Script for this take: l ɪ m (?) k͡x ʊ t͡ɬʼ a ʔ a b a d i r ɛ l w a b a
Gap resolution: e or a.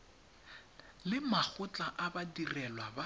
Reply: a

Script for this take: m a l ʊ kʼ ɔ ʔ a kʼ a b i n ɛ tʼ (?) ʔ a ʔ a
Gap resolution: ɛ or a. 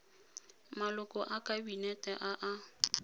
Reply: ɛ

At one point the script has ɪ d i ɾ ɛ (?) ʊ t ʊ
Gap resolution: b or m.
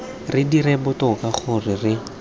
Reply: b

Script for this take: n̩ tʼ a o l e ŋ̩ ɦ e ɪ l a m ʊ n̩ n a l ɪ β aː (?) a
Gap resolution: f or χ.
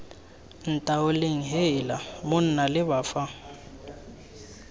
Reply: f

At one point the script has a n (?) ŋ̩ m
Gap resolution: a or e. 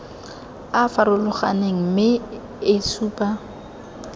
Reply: e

